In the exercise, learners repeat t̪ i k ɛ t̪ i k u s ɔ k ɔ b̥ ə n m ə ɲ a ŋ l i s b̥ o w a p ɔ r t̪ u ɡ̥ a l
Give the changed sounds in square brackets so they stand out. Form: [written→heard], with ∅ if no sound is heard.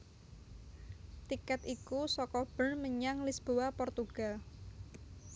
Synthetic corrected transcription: t̪ i k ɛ t̪ i k u s ɔ k ɔ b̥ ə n m ə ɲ a ŋ l i s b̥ o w a p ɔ r t̪ u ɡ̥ a l